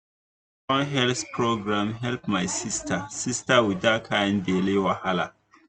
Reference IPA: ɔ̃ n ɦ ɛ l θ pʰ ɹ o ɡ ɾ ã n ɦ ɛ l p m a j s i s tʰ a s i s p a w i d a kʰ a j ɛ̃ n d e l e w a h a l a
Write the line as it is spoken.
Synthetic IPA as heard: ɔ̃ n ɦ ɛ l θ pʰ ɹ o ɡ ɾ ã m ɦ ɛ l p m a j s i s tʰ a s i s t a w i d a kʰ a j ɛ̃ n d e l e w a h a l a